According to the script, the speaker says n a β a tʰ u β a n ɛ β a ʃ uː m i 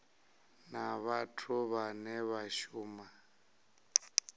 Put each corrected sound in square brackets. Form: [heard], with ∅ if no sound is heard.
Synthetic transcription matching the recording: n a β a tʰ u β a n ɛ β a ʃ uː m [a]